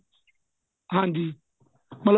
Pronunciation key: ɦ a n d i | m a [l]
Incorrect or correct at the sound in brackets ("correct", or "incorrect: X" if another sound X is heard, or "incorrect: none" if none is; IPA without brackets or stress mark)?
correct